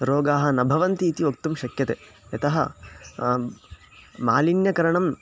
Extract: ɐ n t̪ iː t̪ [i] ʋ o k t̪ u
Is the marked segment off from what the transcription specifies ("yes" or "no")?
no